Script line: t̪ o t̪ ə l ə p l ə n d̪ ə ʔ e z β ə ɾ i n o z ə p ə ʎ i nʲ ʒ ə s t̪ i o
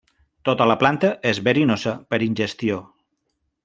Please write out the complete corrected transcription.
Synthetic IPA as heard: t̪ o t̪ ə l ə p l a n t̪ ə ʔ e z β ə ɾ i n o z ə p ə ɾ i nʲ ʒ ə s t̪ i o